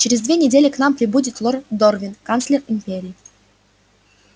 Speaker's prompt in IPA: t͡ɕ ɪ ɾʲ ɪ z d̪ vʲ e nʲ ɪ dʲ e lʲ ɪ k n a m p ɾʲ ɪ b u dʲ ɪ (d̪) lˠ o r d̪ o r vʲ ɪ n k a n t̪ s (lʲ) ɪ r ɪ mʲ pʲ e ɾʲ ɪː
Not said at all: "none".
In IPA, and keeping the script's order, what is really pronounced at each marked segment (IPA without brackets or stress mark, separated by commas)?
t̪, lʲ